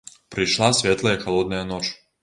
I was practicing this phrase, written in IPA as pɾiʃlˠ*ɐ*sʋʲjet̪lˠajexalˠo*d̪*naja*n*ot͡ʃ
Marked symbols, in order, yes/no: no, yes, yes

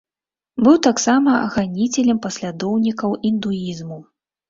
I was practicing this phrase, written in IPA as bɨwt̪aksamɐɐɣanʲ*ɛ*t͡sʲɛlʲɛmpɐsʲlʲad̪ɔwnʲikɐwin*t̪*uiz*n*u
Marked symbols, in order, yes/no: no, no, no

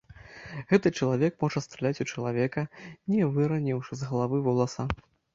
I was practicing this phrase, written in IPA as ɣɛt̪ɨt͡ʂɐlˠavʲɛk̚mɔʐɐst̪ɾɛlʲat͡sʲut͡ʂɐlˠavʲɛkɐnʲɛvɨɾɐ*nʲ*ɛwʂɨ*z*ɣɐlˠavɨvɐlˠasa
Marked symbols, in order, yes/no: yes, yes

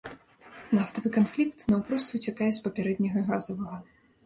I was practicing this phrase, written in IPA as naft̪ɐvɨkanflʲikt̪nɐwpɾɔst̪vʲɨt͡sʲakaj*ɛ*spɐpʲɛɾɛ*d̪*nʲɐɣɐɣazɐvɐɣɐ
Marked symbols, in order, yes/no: yes, yes

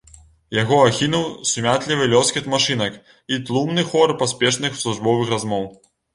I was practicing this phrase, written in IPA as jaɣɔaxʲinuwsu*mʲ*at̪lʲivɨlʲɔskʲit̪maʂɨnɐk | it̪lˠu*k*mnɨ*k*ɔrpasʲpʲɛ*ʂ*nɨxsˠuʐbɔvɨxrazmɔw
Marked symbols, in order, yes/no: yes, no, no, yes

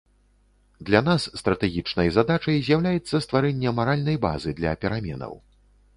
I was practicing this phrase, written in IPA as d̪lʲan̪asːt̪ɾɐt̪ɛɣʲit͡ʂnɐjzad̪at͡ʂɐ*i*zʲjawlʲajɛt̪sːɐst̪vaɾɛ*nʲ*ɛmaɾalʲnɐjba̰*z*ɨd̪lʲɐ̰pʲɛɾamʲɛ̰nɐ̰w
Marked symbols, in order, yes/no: no, no, yes

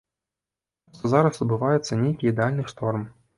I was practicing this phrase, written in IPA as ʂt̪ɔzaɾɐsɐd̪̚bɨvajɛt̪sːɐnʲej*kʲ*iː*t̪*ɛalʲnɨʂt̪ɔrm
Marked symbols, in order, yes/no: yes, no

